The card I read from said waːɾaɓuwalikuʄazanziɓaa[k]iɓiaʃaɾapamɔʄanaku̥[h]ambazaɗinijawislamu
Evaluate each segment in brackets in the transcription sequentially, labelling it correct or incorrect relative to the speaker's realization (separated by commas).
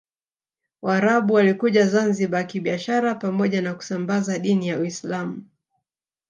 correct, incorrect